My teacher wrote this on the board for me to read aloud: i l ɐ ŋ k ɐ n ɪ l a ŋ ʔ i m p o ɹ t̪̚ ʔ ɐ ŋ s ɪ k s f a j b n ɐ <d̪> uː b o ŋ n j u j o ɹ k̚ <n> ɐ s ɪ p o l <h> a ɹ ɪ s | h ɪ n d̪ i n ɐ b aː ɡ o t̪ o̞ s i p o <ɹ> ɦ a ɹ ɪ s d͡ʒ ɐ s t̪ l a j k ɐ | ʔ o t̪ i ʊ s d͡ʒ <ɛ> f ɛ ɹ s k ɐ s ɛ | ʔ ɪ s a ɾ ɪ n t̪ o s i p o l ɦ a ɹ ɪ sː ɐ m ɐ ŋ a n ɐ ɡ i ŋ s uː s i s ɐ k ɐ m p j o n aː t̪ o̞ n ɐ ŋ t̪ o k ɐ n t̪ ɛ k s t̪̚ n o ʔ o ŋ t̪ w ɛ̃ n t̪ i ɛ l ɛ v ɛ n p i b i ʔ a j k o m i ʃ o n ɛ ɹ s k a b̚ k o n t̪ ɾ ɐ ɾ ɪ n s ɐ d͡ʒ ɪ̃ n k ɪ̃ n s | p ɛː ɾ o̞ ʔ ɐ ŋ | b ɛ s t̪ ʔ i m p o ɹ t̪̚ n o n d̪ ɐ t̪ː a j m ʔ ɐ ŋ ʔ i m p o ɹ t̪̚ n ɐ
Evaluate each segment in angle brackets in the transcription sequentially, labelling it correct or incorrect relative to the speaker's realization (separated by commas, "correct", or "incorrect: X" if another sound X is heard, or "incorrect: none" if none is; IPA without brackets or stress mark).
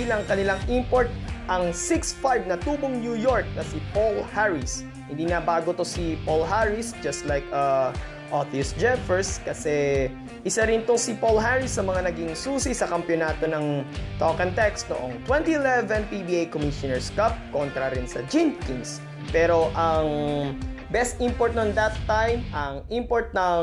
incorrect: t̪, correct, correct, incorrect: l, correct